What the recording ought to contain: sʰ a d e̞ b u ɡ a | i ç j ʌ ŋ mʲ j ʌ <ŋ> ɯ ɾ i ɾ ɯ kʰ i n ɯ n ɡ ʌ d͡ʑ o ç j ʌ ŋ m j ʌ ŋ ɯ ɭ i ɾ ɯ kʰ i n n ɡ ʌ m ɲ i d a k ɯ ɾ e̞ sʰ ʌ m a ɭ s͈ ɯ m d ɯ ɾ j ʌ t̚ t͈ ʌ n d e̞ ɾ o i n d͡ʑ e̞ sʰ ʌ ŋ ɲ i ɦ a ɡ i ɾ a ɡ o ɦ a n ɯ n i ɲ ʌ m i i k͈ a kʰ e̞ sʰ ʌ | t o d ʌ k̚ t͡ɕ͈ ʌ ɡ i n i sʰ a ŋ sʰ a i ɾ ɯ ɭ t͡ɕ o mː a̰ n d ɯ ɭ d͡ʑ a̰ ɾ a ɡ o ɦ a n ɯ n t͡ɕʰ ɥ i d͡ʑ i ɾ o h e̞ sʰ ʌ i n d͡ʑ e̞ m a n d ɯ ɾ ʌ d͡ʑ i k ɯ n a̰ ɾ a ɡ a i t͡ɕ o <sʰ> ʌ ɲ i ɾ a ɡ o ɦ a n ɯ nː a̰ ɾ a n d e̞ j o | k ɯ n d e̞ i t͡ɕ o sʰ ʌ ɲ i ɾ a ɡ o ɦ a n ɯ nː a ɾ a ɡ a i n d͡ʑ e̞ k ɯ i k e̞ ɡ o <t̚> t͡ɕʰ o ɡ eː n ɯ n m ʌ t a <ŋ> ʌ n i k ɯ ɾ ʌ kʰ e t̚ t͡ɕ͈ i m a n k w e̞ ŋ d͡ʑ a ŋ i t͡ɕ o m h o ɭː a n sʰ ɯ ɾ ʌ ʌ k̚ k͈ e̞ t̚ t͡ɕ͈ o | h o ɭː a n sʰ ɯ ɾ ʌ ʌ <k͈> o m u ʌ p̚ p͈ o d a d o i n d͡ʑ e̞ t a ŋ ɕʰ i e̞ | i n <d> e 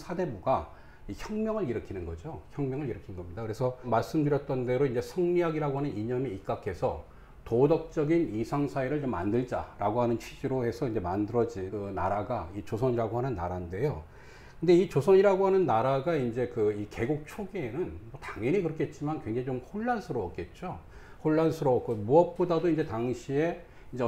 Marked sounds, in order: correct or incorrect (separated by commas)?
correct, correct, incorrect, correct, correct, incorrect